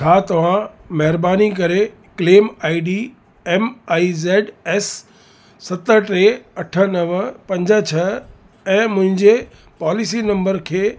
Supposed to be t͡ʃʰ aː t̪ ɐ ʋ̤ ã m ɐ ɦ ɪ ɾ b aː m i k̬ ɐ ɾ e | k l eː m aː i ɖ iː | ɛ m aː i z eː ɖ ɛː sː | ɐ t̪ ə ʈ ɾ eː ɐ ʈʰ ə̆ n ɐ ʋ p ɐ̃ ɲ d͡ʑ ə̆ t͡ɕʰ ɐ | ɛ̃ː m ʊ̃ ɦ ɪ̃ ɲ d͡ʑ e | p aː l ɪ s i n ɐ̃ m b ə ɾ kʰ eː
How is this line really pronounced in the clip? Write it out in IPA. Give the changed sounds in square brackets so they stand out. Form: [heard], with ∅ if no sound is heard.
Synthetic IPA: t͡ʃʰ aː t̪ ɐ ʋ̤ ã m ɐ ɦ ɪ ɾ b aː [n] i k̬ ɐ ɾ e | k l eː m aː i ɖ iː | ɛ m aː i z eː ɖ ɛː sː | ɐ t̪ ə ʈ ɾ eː ɐ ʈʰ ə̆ n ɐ ʋ p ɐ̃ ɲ d͡ʑ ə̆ t͡ɕʰ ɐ | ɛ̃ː m ʊ̃ ɦ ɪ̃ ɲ d͡ʑ e | p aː l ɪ s i n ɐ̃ m b ə ɾ kʰ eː